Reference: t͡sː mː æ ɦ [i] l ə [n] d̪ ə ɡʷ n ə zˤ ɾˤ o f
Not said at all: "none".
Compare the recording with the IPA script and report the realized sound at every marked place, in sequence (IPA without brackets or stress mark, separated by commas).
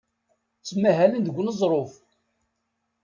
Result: æ, n